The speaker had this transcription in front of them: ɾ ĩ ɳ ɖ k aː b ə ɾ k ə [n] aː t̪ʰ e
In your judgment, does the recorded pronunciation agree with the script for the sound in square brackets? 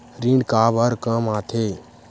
no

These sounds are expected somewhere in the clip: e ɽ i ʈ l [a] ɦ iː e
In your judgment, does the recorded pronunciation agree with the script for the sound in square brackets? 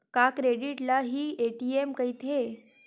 yes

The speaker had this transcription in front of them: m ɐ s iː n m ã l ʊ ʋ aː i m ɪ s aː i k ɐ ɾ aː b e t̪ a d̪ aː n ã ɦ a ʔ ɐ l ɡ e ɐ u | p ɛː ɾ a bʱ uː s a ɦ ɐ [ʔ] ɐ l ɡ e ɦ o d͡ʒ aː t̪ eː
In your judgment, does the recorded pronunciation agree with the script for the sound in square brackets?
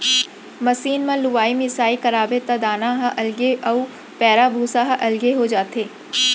yes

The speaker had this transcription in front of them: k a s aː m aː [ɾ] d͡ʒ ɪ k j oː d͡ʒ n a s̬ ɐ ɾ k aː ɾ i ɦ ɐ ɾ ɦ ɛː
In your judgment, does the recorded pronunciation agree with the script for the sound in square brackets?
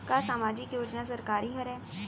no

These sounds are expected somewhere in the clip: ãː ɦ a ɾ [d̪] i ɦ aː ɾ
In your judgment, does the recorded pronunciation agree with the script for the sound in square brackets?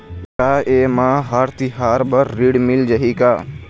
no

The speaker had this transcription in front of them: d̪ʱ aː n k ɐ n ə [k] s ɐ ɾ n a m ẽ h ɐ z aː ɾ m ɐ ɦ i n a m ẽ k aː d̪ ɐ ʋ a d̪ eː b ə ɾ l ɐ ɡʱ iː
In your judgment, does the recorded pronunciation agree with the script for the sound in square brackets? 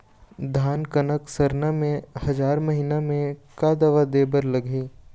yes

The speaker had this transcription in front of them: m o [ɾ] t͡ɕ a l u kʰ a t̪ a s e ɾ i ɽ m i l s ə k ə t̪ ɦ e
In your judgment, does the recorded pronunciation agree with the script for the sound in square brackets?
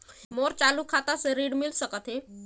yes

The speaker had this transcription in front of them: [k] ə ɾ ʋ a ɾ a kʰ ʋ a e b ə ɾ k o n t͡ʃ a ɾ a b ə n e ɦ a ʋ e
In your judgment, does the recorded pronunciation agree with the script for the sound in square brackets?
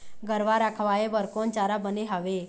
no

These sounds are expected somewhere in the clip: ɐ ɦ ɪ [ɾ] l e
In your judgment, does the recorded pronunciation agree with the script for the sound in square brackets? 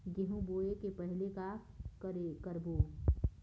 no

